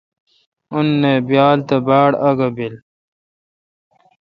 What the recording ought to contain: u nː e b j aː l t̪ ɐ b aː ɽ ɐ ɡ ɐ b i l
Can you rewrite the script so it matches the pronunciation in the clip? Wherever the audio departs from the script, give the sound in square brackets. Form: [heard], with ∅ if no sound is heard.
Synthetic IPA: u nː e b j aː l t̪ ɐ b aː ɽ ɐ ɡ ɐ b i l